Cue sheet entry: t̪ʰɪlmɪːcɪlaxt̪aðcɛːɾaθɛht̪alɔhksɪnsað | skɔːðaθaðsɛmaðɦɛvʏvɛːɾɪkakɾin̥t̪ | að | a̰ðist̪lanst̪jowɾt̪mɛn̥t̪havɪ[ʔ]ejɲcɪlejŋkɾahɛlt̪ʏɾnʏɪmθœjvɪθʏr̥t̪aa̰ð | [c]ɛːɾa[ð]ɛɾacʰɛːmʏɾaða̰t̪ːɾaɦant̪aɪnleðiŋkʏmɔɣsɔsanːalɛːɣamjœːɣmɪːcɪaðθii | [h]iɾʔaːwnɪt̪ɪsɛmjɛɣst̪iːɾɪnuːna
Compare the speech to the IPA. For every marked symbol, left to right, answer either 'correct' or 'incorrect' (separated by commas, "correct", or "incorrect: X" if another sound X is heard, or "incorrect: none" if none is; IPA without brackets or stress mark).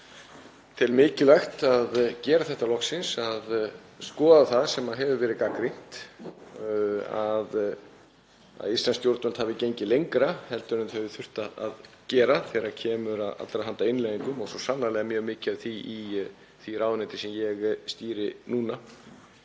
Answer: incorrect: c, correct, incorrect: θ, incorrect: θ